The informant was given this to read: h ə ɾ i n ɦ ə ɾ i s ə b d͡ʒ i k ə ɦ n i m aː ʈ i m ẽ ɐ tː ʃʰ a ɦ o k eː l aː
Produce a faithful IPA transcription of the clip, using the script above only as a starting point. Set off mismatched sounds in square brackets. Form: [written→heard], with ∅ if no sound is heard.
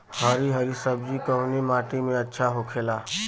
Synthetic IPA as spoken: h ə ɾ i [n→∅] ɦ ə ɾ i s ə b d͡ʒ i k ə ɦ n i m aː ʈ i m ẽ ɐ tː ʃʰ a ɦ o [k→kʰ] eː l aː